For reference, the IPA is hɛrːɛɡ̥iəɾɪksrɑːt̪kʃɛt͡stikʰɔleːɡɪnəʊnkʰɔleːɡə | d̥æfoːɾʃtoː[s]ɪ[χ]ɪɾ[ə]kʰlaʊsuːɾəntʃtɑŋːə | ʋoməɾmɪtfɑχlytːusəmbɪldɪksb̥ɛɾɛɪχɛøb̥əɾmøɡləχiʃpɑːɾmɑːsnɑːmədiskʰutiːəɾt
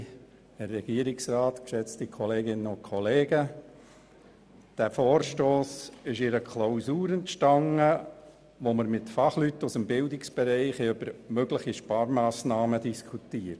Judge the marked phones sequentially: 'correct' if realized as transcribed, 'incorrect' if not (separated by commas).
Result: correct, incorrect, correct